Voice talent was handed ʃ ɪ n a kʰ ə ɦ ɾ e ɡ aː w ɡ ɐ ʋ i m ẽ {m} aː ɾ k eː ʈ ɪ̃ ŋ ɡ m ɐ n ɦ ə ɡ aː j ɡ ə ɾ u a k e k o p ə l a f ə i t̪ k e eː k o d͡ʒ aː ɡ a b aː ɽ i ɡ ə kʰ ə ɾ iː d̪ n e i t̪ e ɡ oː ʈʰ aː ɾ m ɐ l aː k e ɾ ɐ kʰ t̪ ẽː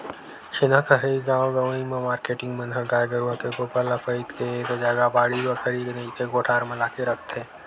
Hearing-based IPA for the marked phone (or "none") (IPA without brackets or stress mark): m